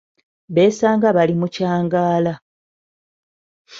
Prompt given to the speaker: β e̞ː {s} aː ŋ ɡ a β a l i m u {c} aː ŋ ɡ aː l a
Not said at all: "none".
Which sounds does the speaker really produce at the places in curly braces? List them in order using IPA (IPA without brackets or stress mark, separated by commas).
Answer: s, c